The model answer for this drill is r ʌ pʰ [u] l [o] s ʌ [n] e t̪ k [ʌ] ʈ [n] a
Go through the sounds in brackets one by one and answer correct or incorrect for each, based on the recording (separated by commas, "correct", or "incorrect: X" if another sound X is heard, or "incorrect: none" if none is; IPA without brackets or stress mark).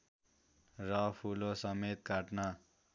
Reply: correct, correct, incorrect: m, incorrect: a, correct